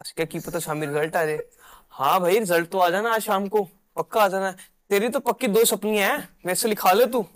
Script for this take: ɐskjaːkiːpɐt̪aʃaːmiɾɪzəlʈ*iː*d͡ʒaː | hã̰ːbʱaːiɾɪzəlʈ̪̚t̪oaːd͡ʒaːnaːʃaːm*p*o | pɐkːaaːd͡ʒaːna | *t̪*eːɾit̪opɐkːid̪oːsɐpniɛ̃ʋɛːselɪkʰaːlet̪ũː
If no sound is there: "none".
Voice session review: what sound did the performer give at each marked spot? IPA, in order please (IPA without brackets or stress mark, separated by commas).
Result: aː, k, t̪